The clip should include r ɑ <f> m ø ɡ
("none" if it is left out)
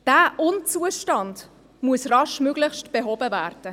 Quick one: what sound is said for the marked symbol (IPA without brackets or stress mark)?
ʃ